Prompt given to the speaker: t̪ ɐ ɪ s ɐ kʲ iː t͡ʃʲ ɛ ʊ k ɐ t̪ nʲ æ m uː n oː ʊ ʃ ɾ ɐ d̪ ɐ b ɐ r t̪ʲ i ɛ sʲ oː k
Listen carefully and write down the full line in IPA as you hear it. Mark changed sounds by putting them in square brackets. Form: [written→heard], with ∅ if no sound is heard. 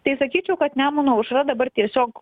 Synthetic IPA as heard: t̪ ɐ ɪ s ɐ kʲ iː t͡ʃʲ ɛ ʊ k ɐ t̪ nʲ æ m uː n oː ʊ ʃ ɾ ɐ d̪ ɐ b ɐ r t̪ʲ i ɛ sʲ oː k